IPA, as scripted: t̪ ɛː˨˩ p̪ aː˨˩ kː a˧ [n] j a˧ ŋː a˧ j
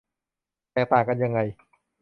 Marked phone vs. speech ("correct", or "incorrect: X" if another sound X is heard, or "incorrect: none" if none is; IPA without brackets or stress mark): correct